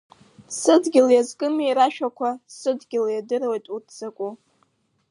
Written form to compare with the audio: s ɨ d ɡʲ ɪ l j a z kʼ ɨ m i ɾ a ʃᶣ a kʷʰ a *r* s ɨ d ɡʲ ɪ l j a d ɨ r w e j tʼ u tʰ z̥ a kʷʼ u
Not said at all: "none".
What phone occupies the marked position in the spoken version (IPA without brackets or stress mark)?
none